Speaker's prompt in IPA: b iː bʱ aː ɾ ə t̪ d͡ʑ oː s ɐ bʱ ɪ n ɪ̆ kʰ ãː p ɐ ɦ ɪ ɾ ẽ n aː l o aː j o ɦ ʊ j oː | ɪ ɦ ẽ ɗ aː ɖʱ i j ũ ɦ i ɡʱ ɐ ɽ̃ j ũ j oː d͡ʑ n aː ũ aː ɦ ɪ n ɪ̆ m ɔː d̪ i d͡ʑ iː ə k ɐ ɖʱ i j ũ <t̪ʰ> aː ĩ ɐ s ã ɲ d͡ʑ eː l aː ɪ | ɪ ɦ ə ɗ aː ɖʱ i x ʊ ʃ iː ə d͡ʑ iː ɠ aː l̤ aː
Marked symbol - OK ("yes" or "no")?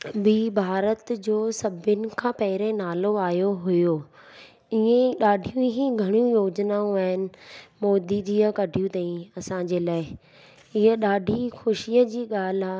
no